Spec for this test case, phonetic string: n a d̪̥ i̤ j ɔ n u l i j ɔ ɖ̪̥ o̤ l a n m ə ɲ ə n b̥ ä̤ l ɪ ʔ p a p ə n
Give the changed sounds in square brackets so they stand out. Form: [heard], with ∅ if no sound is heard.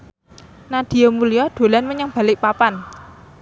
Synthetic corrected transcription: n a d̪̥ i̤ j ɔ [m] u l i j ɔ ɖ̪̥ o̤ l a n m ə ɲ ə [ŋ] b̥ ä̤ l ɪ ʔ p a p [a] n